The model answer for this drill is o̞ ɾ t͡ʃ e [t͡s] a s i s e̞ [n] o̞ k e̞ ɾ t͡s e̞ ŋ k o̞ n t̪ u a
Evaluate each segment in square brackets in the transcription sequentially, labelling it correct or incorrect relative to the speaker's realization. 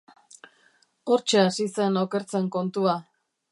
incorrect, correct

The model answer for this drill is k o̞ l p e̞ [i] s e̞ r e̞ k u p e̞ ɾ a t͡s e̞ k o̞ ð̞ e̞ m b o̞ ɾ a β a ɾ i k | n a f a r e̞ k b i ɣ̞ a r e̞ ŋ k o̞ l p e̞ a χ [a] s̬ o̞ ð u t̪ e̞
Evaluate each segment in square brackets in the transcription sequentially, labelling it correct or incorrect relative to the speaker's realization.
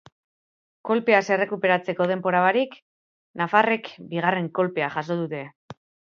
incorrect, correct

